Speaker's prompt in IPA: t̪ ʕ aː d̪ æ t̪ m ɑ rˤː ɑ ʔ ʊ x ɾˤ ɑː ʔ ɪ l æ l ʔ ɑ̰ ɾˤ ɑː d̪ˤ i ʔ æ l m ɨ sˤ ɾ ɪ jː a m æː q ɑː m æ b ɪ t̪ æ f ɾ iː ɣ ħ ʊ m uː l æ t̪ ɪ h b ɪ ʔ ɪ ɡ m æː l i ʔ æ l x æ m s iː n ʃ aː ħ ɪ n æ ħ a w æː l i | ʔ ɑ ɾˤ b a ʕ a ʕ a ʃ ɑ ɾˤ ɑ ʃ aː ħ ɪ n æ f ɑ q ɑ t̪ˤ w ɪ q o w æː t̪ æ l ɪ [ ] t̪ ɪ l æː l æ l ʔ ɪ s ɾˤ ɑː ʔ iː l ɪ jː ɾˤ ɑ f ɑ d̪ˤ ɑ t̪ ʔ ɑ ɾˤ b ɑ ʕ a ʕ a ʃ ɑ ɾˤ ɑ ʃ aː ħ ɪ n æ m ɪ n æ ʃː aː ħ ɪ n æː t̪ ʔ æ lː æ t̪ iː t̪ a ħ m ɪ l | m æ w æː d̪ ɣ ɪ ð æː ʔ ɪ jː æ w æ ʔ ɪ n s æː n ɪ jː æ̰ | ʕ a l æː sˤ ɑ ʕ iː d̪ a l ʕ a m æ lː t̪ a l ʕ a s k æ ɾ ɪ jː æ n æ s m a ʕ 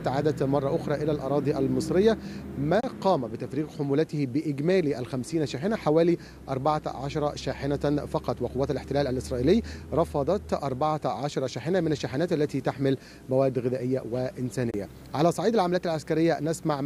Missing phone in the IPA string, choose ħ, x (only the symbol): ħ